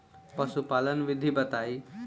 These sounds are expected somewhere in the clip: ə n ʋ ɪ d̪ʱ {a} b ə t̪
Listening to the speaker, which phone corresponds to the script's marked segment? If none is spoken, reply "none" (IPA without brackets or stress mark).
i